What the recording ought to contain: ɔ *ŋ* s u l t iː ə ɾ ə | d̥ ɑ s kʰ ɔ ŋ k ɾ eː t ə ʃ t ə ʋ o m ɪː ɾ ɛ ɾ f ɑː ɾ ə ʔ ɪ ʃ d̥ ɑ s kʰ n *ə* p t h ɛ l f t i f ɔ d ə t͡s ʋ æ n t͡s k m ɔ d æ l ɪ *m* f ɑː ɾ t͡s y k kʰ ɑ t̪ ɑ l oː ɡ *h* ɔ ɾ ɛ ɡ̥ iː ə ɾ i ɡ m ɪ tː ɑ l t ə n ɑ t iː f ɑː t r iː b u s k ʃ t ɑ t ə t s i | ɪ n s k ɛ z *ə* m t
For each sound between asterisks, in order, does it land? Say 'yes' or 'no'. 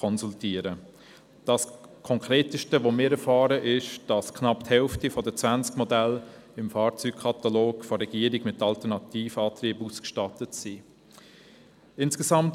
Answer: no, no, yes, no, no

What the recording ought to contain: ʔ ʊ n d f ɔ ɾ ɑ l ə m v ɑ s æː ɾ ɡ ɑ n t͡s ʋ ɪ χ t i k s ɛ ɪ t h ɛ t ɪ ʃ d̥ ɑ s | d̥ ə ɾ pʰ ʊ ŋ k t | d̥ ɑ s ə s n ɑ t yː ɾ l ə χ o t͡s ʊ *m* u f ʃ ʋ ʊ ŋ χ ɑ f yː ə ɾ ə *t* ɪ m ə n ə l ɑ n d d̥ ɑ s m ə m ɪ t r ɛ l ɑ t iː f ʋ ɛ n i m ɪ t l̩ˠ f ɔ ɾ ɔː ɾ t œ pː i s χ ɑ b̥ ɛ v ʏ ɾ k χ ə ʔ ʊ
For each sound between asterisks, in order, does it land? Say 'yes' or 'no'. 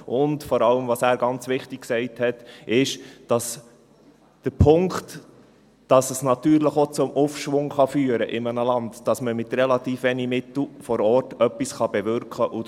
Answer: yes, no

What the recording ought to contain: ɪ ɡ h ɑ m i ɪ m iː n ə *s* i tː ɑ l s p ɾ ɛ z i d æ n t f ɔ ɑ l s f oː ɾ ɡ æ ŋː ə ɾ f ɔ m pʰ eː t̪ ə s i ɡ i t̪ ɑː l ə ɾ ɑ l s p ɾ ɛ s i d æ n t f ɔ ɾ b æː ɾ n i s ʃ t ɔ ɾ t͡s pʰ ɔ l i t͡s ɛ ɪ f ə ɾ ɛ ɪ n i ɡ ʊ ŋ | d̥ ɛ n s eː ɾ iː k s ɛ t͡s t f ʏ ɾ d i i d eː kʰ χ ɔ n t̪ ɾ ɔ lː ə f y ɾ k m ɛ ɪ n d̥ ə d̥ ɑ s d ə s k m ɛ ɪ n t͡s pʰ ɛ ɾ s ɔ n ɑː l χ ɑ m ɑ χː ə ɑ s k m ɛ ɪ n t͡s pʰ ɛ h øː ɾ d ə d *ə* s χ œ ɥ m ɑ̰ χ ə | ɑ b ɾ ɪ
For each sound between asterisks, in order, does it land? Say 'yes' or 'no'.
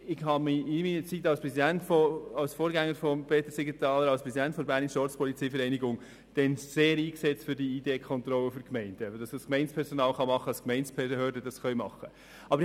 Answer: no, no

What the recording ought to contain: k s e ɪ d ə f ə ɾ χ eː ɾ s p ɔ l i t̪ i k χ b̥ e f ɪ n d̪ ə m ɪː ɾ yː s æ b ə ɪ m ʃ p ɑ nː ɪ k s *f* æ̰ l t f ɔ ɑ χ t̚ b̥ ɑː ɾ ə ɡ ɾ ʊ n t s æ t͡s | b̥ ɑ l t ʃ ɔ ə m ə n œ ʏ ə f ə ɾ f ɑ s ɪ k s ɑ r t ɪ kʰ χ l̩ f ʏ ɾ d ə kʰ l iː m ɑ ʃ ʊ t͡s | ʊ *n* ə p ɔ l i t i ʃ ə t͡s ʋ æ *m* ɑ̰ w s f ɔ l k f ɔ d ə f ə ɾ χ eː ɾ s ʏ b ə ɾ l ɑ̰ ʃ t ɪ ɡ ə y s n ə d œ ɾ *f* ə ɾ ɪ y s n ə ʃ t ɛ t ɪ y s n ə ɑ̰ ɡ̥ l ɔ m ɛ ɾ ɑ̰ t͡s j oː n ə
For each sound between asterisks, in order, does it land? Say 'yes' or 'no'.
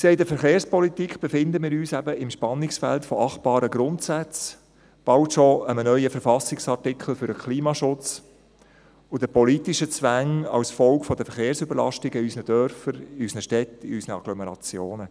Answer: yes, no, no, yes

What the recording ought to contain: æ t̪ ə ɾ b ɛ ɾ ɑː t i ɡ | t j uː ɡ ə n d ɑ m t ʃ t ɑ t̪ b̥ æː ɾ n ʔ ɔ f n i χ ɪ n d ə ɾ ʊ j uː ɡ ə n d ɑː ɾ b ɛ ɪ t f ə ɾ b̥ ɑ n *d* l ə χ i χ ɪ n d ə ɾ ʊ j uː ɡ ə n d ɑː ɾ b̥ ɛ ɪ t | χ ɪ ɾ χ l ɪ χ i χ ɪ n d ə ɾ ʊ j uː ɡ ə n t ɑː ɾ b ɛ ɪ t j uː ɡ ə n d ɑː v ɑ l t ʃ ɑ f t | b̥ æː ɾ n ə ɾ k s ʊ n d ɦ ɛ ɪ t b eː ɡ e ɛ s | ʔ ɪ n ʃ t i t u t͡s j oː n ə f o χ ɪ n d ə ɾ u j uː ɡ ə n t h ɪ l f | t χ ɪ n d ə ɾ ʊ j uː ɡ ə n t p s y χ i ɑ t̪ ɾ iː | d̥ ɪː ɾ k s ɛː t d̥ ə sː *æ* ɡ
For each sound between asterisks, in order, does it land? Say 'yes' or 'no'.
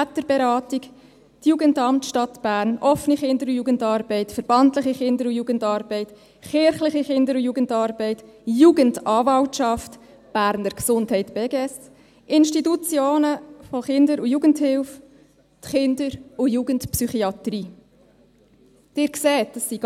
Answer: no, no

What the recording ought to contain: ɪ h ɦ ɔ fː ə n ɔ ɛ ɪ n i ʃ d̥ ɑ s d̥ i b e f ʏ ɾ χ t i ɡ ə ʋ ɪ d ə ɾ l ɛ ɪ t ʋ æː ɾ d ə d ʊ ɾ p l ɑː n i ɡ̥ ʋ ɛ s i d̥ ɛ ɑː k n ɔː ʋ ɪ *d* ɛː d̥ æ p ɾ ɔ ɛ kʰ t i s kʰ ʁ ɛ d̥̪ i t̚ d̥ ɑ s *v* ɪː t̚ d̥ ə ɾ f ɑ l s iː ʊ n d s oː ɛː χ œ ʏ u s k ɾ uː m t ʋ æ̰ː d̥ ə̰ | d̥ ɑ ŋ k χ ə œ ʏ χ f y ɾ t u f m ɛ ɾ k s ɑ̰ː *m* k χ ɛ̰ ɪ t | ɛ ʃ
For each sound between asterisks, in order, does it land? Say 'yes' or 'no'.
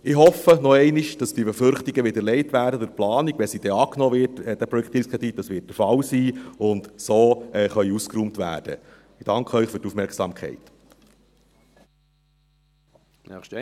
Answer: no, no, yes

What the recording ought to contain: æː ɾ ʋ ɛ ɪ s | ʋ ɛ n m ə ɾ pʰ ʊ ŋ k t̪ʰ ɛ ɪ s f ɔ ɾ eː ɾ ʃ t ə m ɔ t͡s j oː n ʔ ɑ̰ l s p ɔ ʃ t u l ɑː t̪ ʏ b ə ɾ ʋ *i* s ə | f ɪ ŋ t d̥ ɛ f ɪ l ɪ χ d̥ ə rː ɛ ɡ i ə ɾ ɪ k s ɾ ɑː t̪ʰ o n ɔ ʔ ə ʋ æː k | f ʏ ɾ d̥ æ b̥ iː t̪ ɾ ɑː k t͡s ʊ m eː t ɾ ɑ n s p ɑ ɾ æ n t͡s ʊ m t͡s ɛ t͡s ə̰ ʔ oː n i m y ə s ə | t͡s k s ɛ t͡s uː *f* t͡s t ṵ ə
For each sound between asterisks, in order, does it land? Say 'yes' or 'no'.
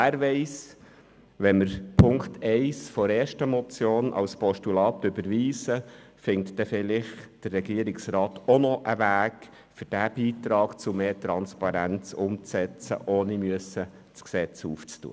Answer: no, yes

